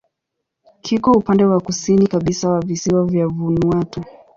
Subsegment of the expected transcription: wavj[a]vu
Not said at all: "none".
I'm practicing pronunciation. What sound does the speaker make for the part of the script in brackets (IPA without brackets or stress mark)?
a